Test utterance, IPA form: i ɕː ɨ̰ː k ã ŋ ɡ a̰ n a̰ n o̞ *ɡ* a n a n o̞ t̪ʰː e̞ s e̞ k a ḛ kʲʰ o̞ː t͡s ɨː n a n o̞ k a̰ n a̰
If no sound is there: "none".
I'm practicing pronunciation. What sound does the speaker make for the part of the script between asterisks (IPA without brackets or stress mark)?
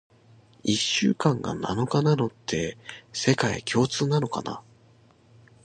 k